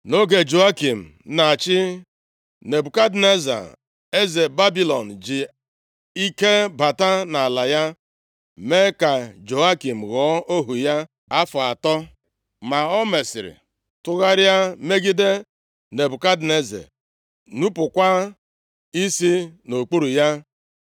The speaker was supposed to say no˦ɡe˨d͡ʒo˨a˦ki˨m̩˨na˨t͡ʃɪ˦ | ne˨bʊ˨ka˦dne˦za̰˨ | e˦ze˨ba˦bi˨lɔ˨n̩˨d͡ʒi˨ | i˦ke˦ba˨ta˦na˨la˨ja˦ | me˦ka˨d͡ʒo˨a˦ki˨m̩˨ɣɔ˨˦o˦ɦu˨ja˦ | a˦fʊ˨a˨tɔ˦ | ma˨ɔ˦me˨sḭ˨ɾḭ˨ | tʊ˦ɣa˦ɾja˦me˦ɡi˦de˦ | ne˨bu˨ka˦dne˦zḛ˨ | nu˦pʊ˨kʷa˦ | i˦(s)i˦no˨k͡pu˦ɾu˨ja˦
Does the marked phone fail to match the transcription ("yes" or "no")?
no